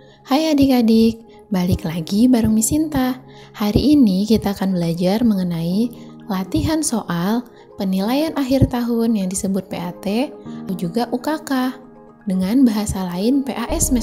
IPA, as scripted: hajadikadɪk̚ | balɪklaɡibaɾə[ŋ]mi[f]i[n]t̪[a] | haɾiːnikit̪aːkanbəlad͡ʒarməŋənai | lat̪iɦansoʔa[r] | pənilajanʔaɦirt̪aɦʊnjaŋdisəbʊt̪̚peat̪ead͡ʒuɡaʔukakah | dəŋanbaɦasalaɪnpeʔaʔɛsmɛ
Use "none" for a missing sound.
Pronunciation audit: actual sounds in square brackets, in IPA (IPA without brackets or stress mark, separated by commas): ŋ, s, n, a, l